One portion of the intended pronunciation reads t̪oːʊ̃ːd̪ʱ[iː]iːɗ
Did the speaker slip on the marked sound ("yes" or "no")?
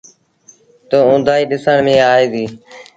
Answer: yes